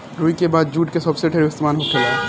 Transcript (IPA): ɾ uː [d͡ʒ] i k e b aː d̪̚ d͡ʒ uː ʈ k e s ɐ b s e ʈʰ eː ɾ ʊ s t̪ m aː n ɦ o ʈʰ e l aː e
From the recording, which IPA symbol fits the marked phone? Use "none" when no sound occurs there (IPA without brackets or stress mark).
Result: none